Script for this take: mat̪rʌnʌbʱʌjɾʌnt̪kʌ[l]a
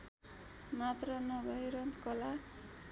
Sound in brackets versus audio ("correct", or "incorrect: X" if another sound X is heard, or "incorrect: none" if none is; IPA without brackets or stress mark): correct